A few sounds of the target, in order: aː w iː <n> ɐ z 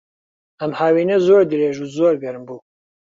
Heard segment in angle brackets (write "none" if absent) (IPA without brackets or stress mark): n